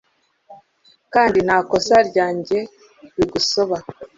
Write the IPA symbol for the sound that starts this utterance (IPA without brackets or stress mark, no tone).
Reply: k